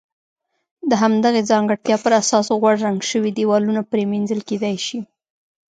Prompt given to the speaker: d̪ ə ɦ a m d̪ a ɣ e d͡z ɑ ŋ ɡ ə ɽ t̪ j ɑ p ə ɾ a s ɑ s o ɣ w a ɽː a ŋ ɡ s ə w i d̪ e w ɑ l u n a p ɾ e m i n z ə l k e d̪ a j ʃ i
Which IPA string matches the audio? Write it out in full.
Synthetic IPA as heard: d̪ ə ɦ a m d̪ a ɣ e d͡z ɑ ŋ ɡ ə ɽ t̪ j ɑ p ə ɾ a s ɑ s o ɣ w a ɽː a ŋ ɡ ʃ ə w i d̪ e w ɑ l u n a p ɾ e m i n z ə l k e d̪ a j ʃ i